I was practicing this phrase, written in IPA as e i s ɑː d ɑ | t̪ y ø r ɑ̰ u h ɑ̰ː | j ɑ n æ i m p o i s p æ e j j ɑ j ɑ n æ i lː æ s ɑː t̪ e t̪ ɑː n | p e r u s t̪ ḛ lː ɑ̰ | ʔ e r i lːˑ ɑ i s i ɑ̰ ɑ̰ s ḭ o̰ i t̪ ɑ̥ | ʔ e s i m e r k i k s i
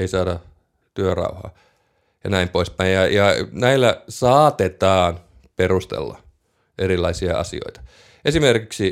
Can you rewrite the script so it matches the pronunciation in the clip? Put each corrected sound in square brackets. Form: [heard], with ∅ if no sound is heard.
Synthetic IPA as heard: e i s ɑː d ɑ | t̪ y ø r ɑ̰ u h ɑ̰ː | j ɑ n æ i m p o i s p æ [i] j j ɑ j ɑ n æ i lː æ s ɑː t̪ e t̪ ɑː n | p e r u s t̪ ḛ lː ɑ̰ | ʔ e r i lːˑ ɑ i s i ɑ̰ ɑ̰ s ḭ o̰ i t̪ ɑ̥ | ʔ e s i m e r k i k s i